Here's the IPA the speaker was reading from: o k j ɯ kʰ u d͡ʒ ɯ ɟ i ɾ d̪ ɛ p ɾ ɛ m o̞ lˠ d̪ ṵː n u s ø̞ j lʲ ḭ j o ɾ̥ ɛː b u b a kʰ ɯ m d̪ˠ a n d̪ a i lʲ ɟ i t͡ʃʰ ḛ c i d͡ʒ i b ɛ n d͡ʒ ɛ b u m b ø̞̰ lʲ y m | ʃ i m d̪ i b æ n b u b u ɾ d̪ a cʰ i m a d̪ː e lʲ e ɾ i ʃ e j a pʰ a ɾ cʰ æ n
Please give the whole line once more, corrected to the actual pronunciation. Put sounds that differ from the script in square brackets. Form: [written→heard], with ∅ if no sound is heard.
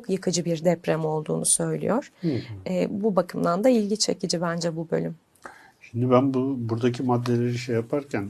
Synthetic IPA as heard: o k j ɯ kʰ [u→ɯ] d͡ʒ ɯ [ɟ→b] i ɾ d̪ ɛ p ɾ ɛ m o̞ lˠ d̪ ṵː n u s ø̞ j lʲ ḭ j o ɾ̥ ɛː b u b a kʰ ɯ m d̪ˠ a n d̪ a i lʲ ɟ i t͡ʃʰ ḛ c i d͡ʒ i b [ɛ→æ] n d͡ʒ ɛ b u [m→∅] b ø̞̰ lʲ y m | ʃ i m d̪ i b æ n b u b u ɾ d̪ a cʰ i m a d̪ː e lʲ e ɾ i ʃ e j a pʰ a ɾ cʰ æ n